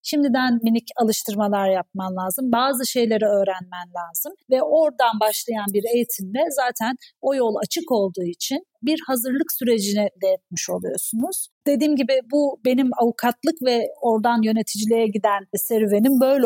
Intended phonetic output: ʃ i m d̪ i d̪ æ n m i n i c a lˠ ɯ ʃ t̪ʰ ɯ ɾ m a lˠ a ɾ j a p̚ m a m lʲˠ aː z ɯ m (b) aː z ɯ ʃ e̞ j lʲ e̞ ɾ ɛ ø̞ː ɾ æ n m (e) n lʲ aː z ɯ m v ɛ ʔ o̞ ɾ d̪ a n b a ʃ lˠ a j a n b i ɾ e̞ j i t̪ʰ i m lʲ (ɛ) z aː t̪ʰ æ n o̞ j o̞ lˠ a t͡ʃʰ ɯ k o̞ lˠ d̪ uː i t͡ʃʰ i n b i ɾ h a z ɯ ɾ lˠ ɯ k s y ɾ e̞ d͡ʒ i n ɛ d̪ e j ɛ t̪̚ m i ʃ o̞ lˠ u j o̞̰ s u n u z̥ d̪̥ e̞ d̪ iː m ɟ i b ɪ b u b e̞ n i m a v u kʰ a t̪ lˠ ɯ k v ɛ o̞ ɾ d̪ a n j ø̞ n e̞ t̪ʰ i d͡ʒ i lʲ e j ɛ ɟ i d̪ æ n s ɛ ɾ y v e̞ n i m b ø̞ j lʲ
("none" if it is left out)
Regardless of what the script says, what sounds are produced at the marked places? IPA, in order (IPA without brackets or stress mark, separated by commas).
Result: b, æ, ɛ